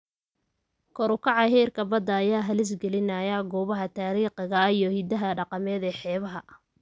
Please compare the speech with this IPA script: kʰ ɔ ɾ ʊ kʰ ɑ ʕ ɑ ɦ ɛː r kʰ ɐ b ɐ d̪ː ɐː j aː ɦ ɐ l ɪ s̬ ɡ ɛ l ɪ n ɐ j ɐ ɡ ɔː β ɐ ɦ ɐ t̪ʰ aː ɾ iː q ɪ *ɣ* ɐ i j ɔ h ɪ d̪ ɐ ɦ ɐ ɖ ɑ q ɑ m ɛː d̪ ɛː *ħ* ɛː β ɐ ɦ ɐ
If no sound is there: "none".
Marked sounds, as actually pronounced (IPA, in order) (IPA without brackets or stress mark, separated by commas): ɣ, ħ